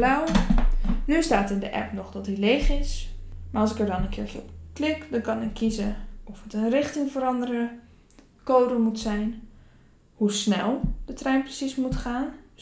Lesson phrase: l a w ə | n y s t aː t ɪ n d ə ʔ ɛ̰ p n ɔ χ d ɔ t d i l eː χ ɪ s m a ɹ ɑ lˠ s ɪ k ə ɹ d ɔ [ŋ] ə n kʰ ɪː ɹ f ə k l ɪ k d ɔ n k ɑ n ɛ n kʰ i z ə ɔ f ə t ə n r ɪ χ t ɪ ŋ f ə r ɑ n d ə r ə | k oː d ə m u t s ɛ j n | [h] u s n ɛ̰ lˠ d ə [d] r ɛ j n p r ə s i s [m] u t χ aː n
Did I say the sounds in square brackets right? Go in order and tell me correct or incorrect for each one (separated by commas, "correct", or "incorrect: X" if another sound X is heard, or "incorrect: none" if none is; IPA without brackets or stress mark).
incorrect: n, correct, incorrect: t, correct